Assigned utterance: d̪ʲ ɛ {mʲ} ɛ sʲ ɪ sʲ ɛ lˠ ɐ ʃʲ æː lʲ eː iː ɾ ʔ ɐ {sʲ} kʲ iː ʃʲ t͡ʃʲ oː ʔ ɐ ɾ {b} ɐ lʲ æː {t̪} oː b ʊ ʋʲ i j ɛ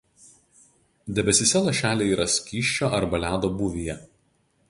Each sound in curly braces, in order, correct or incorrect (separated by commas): incorrect, correct, correct, incorrect